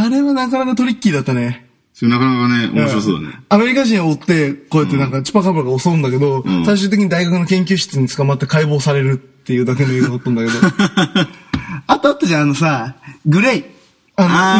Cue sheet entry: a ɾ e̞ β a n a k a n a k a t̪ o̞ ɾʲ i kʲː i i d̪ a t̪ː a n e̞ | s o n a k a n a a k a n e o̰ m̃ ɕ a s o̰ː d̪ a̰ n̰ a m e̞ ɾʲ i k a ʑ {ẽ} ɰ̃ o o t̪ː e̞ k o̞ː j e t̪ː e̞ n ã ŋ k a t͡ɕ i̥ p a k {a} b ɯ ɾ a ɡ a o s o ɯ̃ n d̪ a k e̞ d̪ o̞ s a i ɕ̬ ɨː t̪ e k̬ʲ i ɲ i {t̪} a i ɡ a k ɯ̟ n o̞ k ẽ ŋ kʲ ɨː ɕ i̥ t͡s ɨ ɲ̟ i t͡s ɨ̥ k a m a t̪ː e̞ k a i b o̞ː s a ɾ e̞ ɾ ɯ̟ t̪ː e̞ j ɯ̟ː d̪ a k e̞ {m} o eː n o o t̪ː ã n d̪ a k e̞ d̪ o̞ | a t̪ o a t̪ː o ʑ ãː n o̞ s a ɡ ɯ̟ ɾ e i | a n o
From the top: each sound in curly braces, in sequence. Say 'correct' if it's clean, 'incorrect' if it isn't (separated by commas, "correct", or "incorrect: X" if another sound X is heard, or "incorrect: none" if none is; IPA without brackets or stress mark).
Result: incorrect: ĩ, correct, incorrect: d̪, incorrect: n